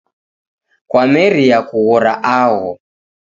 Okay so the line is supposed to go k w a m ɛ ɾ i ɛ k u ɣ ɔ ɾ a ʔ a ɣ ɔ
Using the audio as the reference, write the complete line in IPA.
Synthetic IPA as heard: k w a m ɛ ɾ i a k u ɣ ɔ ɾ a ʔ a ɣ ɔ